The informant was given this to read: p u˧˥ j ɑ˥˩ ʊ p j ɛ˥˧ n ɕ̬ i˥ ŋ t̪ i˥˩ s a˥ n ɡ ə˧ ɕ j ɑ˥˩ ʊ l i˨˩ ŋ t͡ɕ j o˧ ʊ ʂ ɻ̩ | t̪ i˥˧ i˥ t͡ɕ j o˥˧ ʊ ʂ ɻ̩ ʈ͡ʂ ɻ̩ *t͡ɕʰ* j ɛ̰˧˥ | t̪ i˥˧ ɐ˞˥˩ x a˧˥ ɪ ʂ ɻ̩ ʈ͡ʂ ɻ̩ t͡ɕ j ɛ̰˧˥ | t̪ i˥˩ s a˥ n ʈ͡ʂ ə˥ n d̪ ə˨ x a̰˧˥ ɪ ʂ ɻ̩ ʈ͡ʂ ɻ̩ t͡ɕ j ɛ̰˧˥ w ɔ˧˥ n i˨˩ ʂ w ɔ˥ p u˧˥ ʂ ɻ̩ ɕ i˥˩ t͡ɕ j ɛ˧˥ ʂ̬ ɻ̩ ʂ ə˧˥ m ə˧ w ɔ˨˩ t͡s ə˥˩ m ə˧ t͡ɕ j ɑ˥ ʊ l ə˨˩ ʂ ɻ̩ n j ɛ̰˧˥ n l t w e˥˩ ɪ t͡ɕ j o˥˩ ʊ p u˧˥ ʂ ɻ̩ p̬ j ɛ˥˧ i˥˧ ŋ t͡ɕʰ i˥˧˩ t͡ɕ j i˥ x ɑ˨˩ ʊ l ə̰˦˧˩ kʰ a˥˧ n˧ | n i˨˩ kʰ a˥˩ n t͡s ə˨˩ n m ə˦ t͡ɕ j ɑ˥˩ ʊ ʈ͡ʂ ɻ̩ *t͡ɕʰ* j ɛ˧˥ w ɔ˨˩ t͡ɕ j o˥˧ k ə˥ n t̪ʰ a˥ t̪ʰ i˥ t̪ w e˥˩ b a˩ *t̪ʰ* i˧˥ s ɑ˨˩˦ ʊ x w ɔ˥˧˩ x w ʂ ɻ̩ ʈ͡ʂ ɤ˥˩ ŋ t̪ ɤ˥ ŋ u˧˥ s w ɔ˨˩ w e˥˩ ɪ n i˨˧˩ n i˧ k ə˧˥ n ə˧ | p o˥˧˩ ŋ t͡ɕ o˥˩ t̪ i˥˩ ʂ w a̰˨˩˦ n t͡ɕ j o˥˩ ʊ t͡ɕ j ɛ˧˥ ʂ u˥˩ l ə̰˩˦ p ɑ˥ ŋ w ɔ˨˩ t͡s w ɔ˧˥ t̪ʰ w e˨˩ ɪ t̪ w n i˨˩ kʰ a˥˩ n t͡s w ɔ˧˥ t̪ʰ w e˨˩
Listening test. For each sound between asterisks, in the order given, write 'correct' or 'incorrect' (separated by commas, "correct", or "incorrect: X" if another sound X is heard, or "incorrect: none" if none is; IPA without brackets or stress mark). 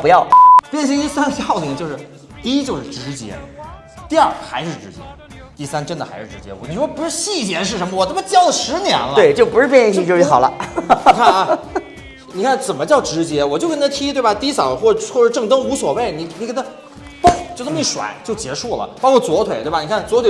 incorrect: t͡ɕ, incorrect: t͡ɕ, incorrect: t̪